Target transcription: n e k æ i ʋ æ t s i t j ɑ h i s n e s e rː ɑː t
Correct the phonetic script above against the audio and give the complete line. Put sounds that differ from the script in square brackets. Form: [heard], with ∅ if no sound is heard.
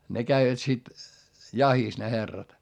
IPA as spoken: n e k æ i ʋ æ t s i t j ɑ h i s n e [h] e rː [ɑ] t